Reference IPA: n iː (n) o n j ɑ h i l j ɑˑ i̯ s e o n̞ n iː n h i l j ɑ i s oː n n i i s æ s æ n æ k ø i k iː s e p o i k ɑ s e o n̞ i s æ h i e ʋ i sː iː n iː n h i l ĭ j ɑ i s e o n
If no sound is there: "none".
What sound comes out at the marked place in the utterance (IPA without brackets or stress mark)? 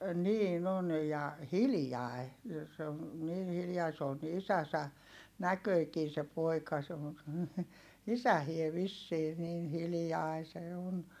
n